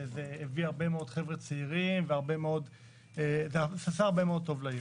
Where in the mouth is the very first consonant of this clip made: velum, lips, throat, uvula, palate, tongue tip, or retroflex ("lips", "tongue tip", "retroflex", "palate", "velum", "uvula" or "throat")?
tongue tip